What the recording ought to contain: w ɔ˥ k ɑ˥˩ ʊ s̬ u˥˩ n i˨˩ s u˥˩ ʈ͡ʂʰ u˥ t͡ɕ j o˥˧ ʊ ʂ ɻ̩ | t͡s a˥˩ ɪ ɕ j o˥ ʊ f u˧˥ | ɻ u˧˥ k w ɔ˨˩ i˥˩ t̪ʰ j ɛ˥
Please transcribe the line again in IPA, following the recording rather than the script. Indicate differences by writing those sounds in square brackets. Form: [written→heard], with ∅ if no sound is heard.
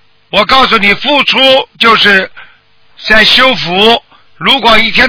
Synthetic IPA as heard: w [ɔ˥→ɔ˨˩] k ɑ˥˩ ʊ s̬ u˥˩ n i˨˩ [s→f] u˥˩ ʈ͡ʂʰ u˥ t͡ɕ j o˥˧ ʊ ʂ ɻ̩ | t͡s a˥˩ ɪ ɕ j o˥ ʊ f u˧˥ | ɻ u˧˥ k w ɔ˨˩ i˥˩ t̪ʰ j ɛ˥